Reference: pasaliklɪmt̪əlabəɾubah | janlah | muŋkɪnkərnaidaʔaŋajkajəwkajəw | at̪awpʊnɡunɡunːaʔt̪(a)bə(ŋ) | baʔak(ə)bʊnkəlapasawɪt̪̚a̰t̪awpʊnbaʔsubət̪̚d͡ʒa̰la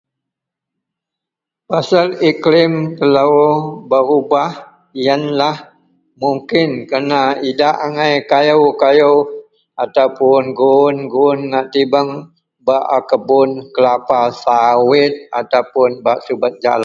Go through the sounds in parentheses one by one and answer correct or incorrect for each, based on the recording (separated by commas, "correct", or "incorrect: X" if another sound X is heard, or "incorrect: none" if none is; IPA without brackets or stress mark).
incorrect: i, correct, correct